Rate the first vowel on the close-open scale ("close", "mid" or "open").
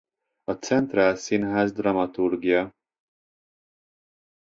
open